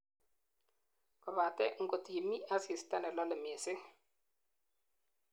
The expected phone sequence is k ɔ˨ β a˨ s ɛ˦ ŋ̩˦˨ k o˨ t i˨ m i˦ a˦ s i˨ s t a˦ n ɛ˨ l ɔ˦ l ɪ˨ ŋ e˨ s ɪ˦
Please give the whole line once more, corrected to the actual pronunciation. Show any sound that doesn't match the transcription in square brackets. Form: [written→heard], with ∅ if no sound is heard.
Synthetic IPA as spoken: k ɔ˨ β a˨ [s→t] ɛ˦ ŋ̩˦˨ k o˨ t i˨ m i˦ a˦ s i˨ s t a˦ n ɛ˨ l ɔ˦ l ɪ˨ [ŋ→m] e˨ s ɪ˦